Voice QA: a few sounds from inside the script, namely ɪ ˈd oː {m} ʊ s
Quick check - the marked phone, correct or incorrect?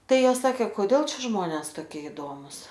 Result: correct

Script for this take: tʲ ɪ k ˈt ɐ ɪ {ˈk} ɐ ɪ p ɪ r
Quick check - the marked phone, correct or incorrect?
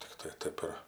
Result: incorrect: t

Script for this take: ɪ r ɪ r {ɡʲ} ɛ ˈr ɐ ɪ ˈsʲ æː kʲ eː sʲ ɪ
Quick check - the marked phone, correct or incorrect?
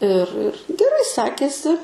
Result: correct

